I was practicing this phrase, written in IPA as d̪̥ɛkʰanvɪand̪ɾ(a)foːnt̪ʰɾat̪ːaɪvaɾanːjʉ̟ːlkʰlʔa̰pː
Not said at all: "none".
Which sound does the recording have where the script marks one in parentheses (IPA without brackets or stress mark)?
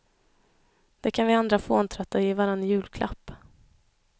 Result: a